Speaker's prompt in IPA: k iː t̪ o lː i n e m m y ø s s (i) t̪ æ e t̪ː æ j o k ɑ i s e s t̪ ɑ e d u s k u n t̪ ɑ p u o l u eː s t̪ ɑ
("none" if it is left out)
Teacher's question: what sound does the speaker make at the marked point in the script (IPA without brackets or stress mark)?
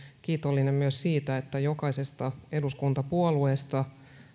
iː